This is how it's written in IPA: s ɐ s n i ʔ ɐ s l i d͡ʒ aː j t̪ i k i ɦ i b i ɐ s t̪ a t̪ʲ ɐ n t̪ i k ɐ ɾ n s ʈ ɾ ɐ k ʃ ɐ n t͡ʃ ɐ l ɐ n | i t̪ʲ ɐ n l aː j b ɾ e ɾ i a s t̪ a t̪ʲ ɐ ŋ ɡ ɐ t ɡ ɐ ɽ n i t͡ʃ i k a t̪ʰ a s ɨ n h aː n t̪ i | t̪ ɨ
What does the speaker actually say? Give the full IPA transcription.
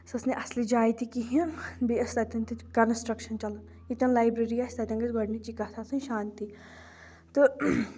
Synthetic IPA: s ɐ s n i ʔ ɐ s l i d͡ʒ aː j t̪ i k i ɦ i b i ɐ s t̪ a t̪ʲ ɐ n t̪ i k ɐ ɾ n s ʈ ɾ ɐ k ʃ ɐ n t͡ʃ ɐ l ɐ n | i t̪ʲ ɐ n l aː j b ɾ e ɾ i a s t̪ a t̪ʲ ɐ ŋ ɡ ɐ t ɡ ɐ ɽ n i t͡ʃ i k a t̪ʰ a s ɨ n ʃ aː n t̪ i | t̪ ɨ

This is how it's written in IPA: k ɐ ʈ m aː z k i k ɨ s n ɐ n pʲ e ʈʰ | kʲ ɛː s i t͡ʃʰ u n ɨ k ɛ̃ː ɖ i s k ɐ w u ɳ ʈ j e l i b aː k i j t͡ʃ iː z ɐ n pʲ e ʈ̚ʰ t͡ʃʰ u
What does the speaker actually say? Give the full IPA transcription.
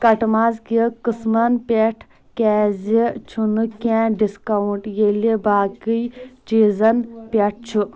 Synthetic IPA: k ɐ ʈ m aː z k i k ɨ s m ɐ n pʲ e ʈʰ | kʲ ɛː z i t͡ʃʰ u n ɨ k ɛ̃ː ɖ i s k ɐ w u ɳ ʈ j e l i b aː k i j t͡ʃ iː z ɐ n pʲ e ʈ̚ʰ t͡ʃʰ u

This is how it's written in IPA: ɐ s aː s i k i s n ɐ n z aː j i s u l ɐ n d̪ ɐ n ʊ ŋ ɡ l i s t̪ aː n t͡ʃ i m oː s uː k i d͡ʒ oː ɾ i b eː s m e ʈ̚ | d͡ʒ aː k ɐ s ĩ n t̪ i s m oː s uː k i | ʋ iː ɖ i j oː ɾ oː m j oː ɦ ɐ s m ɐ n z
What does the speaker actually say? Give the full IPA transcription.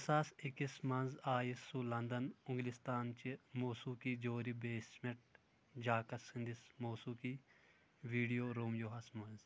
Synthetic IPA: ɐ s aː s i k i s m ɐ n z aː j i s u l ɐ n d̪ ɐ n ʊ ŋ ɡ l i s t̪ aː n t͡ʃ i m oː s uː k i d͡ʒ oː ɾ i b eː s m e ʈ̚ | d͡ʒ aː k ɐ s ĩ n d̪ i s m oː s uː k i | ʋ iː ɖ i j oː ɾ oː m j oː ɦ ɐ s m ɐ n z

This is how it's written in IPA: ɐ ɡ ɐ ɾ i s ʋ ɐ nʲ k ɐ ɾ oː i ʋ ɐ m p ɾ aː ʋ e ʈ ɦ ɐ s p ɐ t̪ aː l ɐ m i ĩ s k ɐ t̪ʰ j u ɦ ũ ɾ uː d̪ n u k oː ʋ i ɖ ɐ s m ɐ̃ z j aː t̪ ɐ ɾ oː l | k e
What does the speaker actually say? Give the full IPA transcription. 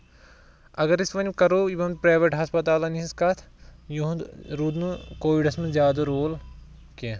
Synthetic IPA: ɐ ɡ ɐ ɾ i s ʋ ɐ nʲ k ɐ ɾ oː i ʋ ɐ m p ɾ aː ʋ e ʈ ɦ ɐ s p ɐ t̪ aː l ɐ n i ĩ s k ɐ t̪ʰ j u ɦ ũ ɾ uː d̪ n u k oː ʋ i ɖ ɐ s m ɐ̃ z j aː d̪ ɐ ɾ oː l | k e

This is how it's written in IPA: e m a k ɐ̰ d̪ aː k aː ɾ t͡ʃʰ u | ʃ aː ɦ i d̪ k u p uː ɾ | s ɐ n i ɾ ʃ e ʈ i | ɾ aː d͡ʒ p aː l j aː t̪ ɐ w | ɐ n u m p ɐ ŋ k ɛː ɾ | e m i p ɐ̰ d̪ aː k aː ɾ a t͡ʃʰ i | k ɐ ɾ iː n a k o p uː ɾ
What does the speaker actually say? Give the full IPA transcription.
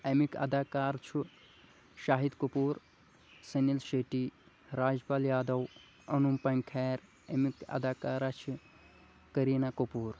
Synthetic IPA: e m i k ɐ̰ d̪ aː k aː ɾ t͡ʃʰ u | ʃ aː ɦ i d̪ k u p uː ɾ | s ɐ n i l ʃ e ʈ i | ɾ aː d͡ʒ p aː l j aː d̪ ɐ w | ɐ n u m p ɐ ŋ kʰ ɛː ɾ | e m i k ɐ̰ d̪ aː k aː ɾ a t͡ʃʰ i | k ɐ ɾ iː n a k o p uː ɾ

